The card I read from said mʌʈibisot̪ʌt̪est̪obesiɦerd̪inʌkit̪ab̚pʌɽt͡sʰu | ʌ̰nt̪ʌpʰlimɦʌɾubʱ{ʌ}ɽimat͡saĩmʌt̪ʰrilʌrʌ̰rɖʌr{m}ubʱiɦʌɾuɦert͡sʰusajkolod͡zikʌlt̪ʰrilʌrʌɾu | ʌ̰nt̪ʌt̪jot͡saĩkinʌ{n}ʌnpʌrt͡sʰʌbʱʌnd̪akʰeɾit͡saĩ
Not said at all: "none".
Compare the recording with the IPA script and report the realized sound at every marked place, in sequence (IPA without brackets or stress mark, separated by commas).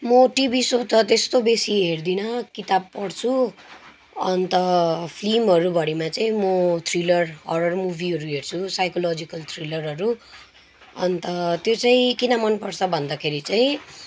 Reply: ʌ, m, m